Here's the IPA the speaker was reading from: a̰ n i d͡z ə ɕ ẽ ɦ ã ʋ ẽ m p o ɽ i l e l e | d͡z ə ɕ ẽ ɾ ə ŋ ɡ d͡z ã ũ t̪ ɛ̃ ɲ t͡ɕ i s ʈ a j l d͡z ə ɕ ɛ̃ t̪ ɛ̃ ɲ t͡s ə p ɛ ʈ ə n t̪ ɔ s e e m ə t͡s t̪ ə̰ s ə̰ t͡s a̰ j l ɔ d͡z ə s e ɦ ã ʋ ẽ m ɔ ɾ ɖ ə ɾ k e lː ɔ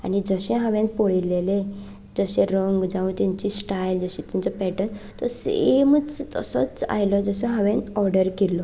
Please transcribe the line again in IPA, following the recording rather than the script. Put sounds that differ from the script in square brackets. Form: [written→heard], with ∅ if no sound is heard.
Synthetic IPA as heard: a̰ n i d͡z ə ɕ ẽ ɦ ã ʋ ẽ [m→n] p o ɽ i l e l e | d͡z ə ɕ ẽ ɾ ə ŋ ɡ d͡z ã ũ t̪ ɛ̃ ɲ t͡ɕ i s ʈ a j l d͡z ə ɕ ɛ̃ t̪ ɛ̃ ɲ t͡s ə p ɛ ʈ ə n t̪ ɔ s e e m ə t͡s t̪ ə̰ s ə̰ t͡s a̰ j l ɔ d͡z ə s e ɦ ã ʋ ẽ [m→n] ɔ ɾ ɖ ə ɾ k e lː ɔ